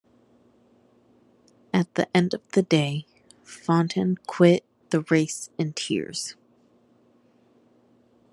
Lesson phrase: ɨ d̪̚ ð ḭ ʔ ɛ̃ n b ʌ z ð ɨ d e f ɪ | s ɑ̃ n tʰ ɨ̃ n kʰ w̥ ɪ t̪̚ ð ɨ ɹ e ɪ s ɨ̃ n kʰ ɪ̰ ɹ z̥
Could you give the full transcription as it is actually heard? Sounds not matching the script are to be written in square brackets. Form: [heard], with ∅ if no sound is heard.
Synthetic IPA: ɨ [t̪̚] ð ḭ ʔ ɛ̃ n [d] ʌ [v] ð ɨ d e [∅] ɪ | [f] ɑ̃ n tʰ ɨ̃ n kʰ w̥ ɪ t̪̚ ð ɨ ɹ e ɪ s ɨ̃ n [tʰ] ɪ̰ ɹ z̥